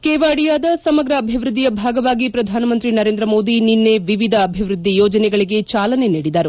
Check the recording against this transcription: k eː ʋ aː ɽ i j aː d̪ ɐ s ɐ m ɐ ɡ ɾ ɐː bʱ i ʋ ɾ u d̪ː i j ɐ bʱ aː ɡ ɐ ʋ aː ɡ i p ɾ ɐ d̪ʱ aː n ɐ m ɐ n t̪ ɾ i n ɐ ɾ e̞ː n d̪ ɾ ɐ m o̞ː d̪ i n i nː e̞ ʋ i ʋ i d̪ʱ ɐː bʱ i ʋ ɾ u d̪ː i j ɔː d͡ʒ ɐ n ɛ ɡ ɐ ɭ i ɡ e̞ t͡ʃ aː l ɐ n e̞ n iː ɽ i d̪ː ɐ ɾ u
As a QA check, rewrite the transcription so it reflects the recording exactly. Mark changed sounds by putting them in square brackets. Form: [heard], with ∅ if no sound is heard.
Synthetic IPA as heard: k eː ʋ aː ɽ i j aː d̪ ɐ s ɐ m ɐ ɡ ɾ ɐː bʱ i ʋ ɾ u d̪ː i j ɐ bʱ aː ɡ ɐ ʋ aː ɡ i p ɾ ɐ d̪ʱ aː n ɐ m ɐ n t̪ ɾ i n ɐ ɾ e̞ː n d̪ ɾ ɐ m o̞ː d̪ i n i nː e̞ ʋ i ʋ i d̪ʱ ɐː bʱ i ʋ ɾ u d̪ː i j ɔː d͡ʒ ɐ n ɛ ɡ ɐ ɭ i ɡ e̞ t͡ʃ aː l ɐ n e̞ n iː ɽ i [d̪] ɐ ɾ u